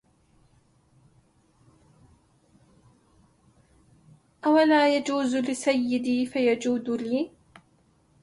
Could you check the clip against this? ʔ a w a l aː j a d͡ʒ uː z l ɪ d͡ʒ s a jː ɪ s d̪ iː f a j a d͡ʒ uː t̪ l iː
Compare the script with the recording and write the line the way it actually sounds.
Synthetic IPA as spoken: ʔ a w a l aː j a d͡ʒ uː z l ɪ s a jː ɪ d̪ iː f a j a d͡ʒ uː d̪ l iː